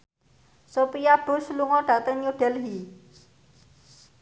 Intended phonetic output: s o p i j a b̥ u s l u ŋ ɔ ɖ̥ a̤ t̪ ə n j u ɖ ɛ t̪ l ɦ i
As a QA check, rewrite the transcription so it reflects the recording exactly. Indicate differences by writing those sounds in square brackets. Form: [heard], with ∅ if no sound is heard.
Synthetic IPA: s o p i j a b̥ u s l u ŋ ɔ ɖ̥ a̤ t̪ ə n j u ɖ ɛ [∅] l ɦ i

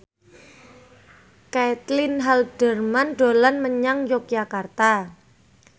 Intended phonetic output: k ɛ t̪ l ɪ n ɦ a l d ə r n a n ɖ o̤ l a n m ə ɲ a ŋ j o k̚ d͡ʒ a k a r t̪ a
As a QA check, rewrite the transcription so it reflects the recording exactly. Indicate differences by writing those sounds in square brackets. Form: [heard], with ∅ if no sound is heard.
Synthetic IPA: k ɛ t̪ l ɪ n ɦ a l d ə r [m] a n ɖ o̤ l a n m ə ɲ a ŋ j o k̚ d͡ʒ a k a r t̪ a

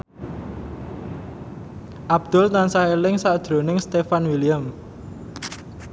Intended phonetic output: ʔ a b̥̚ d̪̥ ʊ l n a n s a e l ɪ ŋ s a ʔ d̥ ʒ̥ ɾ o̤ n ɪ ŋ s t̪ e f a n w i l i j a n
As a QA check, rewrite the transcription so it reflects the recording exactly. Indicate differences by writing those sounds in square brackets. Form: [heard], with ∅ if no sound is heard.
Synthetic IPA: ʔ a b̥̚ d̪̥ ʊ l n a n s a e l ɪ ŋ s a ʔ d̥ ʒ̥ ɾ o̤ n ɪ ŋ s t̪ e f a n w i l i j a [m]

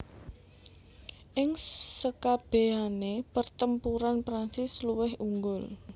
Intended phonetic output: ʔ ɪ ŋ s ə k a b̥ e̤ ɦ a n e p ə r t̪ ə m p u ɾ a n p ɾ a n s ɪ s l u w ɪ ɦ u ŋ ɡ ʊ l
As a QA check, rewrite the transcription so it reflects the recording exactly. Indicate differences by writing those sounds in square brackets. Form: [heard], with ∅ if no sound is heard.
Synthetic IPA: ʔ ɪ ŋ s ə k a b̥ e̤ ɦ a n e p ə r t̪ ə m p u ɾ a n p ɾ a n s ɪ s l u w ɪ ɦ u ŋ ɡ ʊ l

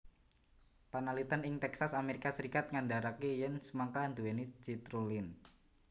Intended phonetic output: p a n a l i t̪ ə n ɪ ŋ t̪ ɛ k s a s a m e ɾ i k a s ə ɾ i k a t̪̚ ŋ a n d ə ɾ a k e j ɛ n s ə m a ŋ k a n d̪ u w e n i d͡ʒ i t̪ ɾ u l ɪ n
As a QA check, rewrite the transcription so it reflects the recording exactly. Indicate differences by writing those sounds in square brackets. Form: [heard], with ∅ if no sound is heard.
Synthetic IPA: p a n a l i t̪ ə n ɪ ŋ t̪ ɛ k s a s a m e ɾ i k a s ə ɾ i k a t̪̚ ŋ a n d [a] ɾ a k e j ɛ n s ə m a ŋ k a n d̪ u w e n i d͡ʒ i t̪ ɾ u l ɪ n

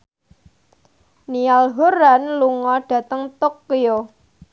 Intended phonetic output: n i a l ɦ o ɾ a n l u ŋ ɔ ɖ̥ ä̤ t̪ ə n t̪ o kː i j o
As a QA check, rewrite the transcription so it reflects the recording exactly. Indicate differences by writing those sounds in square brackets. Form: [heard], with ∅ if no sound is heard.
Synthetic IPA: n i a l ɦ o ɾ a n l u ŋ ɔ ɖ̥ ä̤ t̪ ə [ŋ] t̪ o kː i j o

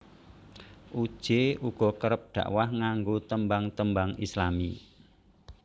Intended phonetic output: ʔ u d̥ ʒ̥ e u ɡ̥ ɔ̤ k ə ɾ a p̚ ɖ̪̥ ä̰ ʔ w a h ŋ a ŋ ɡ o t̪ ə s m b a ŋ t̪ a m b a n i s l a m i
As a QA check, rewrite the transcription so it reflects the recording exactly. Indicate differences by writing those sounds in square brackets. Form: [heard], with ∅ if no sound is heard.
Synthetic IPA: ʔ u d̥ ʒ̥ e u ɡ̥ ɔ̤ k ə ɾ [ə] p̚ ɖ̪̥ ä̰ ʔ w a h ŋ a ŋ ɡ o t̪ ə [∅] m b a ŋ t̪ [ə] m b a [ŋ] i s l a m i

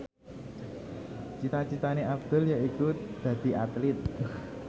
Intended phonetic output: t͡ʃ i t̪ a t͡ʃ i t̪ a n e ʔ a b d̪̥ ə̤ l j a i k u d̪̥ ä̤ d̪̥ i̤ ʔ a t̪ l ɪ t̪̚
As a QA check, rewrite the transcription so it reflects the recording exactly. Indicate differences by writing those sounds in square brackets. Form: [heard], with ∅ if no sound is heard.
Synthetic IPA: t͡ʃ i t̪ a t͡ʃ i t̪ a n e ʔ a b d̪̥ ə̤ l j a i k u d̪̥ ä̤ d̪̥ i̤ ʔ a t̪ l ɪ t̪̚

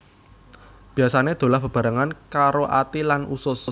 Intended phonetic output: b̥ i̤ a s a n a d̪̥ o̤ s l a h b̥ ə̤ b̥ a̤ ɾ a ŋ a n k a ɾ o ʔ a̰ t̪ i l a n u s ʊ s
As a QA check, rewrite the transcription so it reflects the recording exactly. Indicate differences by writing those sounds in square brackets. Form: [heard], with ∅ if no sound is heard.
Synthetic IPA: b̥ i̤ a s a n [e] d̪̥ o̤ [∅] l a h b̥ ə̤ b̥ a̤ ɾ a ŋ a n k a ɾ o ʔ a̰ t̪ i l a n u s ʊ s

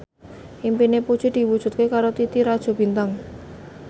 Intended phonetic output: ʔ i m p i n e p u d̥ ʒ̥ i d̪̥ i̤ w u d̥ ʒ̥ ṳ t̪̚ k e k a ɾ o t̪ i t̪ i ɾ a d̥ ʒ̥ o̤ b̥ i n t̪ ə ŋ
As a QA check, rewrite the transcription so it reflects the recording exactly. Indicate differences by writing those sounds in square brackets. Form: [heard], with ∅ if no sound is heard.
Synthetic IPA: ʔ i m p i n e p u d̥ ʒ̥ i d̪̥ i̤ w u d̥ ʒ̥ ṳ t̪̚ k e k a ɾ o t̪ i t̪ i ɾ a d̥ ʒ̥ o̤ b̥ i n t̪ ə ŋ

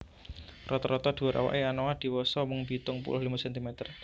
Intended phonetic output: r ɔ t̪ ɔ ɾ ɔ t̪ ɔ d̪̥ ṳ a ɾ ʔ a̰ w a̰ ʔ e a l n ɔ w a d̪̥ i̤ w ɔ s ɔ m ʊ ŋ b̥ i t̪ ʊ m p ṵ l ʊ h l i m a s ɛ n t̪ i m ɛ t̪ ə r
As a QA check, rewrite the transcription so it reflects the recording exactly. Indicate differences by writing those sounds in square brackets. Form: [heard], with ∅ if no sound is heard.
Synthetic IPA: r ɔ t̪ ɔ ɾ ɔ t̪ ɔ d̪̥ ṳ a ɾ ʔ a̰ w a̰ ʔ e a [∅] n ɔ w a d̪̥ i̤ w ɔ s ɔ m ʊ ŋ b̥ i t̪ ʊ [ŋ] p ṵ l ʊ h l i m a s ɛ n t̪ i m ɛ t̪ ə r

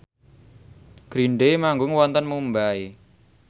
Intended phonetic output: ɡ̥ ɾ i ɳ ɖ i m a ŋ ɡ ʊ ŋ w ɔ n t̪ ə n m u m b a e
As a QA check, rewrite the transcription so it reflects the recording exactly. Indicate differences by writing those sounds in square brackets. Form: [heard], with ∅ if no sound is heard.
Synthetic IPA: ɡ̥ ɾ i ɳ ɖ [e] m a ŋ ɡ ʊ ŋ w ɔ n t̪ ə n m u m b a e

